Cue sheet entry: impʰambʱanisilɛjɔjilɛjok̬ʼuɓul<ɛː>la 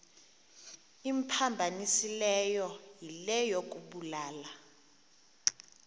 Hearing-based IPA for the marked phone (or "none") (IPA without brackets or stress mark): aː